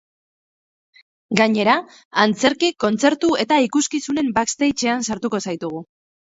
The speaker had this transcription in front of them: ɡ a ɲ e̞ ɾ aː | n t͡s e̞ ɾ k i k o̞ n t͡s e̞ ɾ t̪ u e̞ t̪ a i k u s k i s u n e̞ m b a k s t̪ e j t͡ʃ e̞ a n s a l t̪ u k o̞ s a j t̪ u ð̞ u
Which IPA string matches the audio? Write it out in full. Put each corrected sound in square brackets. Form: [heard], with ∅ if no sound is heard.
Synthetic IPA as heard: ɡ a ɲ e̞ ɾ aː | n t͡s e̞ ɾ k i k o̞ n t͡s e̞ ɾ t̪ u e̞ t̪ a i k u s k i s u n e̞ m b a k s t̪ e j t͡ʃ e̞ a n s a [ɾ] t̪ u k o̞ s a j t̪ u [ɣ̞] u